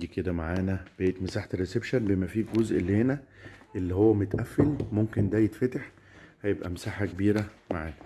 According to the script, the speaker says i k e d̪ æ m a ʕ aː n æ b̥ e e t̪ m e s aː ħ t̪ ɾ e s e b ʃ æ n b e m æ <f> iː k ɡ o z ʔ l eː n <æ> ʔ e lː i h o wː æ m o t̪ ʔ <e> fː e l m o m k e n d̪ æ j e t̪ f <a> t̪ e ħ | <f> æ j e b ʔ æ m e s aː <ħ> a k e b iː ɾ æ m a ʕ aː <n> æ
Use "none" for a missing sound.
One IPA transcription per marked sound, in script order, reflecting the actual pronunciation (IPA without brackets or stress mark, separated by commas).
f, æ, æ, æ, h, ħ, n